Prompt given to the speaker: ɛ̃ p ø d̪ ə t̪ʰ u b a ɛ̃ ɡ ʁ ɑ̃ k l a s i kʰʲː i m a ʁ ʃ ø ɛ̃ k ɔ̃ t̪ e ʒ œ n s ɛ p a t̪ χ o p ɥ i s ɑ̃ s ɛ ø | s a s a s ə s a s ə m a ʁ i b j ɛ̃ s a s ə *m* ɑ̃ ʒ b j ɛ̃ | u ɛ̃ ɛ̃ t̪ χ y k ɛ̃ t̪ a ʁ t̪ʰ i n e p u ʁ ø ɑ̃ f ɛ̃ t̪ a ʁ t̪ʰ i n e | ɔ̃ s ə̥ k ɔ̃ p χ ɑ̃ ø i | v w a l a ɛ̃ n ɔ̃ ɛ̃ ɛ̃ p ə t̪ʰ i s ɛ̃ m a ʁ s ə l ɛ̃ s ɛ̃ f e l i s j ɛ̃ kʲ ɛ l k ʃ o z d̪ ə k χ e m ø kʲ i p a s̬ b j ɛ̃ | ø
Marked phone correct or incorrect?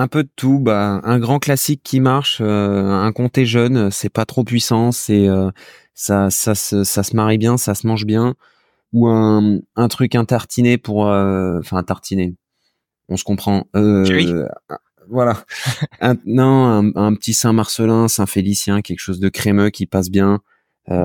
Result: correct